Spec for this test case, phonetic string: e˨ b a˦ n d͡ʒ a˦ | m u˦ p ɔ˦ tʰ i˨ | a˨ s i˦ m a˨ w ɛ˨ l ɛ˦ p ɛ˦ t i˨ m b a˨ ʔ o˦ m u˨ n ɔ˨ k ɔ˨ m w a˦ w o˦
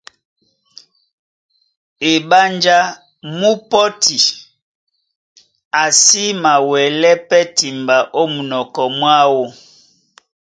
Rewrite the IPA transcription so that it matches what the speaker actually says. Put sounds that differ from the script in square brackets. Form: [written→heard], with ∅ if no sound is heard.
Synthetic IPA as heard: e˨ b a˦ n d͡ʒ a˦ | m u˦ p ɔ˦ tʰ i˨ | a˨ s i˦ m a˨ w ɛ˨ l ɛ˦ p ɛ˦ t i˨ m b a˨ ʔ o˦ m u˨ n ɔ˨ k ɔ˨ m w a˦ w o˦

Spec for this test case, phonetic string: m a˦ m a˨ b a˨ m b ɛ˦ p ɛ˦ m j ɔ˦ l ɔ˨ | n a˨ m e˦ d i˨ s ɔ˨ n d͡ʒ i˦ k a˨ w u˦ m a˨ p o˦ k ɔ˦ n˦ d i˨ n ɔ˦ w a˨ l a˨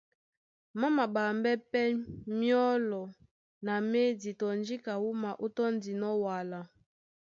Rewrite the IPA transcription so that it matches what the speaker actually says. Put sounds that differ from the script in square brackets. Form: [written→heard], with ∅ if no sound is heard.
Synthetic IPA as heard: m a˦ m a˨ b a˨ m b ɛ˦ p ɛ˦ m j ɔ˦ l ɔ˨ | n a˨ m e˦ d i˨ [s→t] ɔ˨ n d͡ʒ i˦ k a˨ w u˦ m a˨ [p→ʔ] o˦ [k→t] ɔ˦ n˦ d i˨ n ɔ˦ w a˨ l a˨

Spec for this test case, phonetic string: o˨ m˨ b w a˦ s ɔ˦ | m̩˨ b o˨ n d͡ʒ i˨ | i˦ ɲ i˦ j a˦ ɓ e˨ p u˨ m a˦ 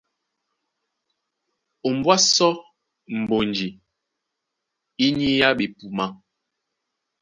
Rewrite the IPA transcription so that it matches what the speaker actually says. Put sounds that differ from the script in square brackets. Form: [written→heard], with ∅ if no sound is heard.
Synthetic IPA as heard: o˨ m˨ b w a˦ s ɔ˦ | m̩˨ b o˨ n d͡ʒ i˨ | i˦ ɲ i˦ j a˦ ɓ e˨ p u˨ m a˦

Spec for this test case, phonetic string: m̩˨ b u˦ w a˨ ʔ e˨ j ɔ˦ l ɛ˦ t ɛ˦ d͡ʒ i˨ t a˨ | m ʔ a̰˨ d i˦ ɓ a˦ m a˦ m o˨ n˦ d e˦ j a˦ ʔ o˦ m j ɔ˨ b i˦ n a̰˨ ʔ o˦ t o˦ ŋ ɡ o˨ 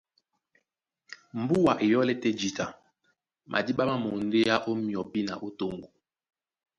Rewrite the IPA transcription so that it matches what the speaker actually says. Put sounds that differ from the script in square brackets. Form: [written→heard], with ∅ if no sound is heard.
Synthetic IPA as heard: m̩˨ b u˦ w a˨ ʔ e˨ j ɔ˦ l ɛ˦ t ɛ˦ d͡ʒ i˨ t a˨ | m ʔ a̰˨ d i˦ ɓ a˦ m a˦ m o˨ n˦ d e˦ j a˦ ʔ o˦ m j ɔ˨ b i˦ n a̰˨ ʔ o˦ t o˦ ŋ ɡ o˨

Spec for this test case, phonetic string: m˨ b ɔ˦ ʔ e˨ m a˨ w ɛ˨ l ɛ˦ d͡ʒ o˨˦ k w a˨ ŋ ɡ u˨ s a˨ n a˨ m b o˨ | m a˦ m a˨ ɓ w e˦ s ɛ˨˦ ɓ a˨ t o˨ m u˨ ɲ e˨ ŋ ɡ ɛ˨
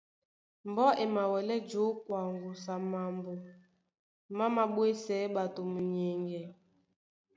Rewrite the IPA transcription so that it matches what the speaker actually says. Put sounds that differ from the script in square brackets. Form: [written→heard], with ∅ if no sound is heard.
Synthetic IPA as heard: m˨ b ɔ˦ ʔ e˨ m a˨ w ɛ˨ l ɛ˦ d͡ʒ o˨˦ k w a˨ ŋ ɡ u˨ s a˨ [n→m] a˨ m b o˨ | m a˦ m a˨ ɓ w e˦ s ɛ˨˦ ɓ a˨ t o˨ m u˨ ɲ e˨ ŋ ɡ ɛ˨

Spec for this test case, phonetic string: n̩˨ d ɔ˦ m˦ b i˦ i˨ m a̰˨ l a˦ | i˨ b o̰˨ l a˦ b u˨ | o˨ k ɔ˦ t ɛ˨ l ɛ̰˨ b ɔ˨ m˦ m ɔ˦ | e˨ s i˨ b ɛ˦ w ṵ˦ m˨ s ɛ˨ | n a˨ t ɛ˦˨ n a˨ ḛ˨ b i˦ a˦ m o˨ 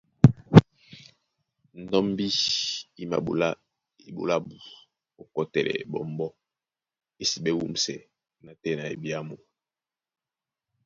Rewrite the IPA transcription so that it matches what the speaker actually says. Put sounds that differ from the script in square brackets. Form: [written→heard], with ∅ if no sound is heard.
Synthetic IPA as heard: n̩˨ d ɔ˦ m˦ b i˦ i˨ m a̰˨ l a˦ | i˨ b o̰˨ l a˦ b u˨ | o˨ k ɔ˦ t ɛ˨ l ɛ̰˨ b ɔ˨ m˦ [m→b] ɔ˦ | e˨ s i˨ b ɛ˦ w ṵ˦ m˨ s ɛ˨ | n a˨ t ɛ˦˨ n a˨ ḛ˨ b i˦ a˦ m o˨

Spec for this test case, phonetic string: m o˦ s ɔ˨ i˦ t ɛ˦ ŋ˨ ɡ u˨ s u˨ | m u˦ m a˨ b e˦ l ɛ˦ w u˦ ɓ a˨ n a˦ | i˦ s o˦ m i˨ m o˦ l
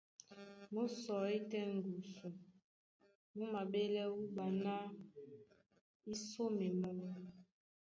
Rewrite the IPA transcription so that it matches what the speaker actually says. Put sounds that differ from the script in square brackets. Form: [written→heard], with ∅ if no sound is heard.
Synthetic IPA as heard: m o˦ s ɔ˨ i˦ t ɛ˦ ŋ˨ ɡ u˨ s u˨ | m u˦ m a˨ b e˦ l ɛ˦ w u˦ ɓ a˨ n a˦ | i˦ s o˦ m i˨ m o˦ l

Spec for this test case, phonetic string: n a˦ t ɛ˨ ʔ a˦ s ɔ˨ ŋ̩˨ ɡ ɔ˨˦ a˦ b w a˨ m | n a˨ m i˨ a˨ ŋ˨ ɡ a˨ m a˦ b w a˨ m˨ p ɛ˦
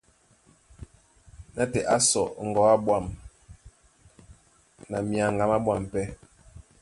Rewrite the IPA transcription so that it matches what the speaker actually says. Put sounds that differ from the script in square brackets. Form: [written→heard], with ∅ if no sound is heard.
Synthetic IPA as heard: n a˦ t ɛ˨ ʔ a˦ s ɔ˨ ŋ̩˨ ɡ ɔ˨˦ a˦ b w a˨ m | n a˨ m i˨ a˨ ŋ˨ ɡ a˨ m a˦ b w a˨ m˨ p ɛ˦

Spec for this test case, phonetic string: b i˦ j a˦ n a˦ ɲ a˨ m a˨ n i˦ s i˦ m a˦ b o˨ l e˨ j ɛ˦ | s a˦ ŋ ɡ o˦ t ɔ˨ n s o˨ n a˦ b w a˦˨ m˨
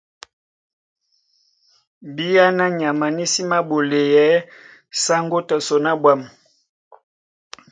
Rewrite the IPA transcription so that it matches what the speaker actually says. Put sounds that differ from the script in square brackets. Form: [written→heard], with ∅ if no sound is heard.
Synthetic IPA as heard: b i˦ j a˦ n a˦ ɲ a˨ m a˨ n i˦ s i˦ m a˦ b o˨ l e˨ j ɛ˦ | s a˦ ŋ ɡ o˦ t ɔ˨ [n→∅] s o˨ n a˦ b w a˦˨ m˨

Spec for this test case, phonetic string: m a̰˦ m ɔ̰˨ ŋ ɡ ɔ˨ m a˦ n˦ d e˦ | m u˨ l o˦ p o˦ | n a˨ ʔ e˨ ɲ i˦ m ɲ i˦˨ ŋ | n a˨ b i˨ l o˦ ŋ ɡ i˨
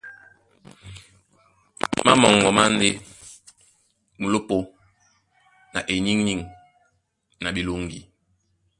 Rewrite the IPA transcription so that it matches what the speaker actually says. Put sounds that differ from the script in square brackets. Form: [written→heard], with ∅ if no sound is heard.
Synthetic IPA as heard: m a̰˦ m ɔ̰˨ ŋ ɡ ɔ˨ m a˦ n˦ d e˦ | m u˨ l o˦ p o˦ | n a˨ ʔ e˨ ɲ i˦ [m→ŋ] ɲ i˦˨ ŋ | n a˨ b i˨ l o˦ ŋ ɡ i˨

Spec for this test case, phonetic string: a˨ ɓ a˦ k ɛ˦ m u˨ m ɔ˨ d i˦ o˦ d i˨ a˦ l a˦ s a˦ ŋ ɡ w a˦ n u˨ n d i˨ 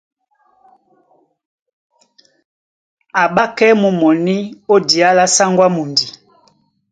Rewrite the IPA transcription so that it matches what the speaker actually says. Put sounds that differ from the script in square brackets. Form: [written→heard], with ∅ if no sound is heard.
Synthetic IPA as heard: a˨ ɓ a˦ k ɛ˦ m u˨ m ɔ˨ [d→n] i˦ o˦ d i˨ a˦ l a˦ s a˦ ŋ ɡ w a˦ [n→m] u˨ n d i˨

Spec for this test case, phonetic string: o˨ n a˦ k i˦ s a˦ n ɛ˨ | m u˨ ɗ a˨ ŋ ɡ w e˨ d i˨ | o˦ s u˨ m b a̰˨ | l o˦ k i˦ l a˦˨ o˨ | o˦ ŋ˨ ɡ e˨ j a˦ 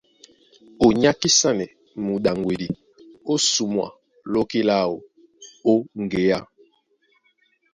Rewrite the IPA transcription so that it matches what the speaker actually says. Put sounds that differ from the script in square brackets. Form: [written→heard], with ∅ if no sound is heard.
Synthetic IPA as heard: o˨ [n→ɲ] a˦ k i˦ s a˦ n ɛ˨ | m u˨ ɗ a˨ ŋ ɡ w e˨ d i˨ | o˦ s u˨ m [b→w] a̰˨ | l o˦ k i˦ l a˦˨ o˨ | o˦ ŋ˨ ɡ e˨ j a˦

